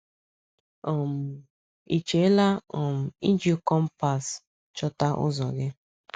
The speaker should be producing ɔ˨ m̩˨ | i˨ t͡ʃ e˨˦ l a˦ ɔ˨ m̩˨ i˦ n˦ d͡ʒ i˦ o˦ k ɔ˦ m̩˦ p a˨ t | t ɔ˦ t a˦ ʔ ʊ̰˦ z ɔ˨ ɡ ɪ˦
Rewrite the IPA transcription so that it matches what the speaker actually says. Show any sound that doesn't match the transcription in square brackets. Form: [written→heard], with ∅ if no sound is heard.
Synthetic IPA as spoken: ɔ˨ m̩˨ | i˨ t͡ʃ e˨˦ l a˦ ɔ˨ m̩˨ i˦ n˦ d͡ʒ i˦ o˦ k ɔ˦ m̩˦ p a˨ [t→s] | [t→t͡ʃ] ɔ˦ t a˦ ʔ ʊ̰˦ z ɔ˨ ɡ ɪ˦